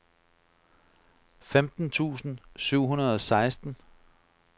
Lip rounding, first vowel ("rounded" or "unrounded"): unrounded